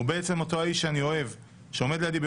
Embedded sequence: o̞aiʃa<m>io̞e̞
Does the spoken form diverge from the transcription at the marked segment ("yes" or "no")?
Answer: yes